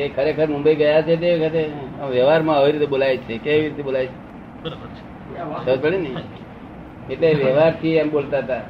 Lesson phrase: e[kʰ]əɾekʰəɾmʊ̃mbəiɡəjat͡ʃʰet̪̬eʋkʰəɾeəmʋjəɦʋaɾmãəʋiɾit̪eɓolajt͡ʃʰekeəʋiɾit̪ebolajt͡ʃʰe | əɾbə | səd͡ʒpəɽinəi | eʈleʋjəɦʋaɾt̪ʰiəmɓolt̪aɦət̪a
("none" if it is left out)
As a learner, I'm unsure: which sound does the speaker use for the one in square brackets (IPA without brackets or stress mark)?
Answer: kʰ